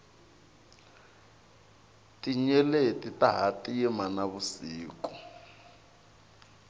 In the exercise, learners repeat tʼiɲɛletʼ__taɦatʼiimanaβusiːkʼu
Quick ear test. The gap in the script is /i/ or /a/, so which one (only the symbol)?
i